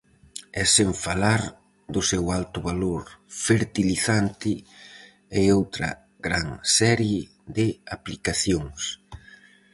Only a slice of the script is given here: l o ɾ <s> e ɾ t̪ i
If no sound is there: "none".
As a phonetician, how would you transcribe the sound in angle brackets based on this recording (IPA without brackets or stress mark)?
f